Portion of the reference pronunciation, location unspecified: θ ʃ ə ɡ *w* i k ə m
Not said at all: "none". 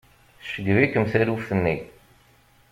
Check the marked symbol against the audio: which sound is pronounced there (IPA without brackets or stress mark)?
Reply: v